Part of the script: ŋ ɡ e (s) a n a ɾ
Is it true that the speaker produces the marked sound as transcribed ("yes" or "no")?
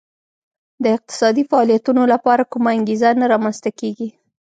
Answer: no